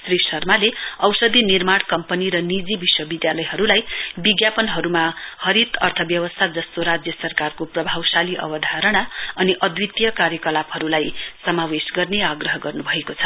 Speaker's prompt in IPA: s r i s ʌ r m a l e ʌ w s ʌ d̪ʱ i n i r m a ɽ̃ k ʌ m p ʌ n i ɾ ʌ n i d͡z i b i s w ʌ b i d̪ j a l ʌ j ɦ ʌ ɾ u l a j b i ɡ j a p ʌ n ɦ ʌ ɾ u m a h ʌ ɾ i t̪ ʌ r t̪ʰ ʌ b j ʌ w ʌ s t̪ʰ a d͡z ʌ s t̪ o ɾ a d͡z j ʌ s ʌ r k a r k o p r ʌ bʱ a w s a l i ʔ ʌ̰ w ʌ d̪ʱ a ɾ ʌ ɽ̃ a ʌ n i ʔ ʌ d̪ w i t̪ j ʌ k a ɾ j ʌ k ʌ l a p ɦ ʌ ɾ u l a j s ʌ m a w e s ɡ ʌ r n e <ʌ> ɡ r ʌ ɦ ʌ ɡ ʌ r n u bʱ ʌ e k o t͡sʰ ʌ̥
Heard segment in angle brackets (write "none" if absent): a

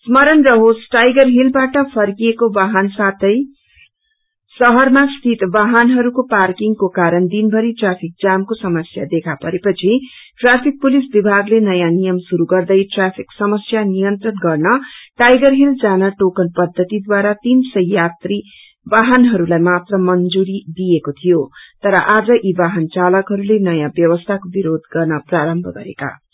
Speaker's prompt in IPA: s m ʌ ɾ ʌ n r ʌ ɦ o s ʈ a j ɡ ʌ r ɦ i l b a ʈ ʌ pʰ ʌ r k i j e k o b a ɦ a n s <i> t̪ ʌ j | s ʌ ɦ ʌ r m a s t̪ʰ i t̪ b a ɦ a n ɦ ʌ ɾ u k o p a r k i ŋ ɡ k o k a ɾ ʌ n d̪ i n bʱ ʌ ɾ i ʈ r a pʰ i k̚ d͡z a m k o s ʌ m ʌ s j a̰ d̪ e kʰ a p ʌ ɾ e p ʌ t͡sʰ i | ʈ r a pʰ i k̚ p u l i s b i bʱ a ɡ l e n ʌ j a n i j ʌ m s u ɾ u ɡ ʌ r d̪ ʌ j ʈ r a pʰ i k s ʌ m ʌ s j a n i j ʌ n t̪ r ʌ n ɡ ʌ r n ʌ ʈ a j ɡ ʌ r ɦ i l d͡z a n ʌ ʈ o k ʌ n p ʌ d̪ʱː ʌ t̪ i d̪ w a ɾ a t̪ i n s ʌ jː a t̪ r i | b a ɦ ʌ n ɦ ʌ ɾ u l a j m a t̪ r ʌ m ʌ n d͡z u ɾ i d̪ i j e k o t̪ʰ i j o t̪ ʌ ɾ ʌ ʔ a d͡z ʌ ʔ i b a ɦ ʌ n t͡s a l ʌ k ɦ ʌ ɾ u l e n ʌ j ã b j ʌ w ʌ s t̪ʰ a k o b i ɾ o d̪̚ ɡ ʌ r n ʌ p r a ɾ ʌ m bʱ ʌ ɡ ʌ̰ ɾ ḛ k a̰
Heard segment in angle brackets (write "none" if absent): a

